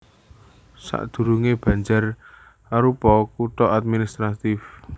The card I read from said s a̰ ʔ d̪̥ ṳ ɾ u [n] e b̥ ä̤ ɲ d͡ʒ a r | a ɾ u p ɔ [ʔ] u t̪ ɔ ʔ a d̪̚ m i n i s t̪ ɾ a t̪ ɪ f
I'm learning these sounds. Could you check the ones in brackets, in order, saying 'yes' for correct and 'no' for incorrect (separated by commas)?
no, no